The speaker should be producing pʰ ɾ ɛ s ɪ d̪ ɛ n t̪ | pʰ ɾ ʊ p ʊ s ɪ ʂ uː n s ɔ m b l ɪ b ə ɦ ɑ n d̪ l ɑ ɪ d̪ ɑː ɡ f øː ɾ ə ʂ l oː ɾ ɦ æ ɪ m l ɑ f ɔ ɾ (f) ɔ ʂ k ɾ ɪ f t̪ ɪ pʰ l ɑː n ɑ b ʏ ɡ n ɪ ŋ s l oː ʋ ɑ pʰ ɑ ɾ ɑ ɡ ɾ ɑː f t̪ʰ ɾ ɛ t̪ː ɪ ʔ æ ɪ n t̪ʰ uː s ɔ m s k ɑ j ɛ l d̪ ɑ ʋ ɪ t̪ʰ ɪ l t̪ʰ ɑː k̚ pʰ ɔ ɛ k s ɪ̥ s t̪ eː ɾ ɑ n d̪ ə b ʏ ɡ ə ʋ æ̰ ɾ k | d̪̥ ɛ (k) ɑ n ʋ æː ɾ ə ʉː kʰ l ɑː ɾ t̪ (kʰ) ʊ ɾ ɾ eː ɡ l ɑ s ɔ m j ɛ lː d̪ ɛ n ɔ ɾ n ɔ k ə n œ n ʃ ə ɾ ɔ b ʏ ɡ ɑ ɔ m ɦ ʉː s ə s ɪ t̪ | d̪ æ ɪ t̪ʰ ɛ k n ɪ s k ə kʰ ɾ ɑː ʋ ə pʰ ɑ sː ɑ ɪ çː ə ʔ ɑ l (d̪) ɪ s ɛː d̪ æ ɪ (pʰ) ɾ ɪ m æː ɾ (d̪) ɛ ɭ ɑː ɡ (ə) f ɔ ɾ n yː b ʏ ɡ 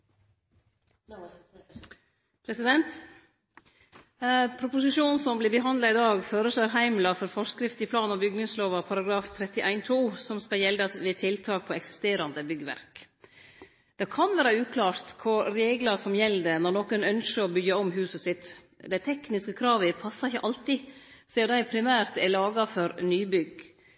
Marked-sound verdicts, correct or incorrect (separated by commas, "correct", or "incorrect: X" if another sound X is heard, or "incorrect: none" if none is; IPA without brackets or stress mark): correct, incorrect: kʰ, correct, incorrect: t̪, correct, incorrect: t̪, incorrect: ɑ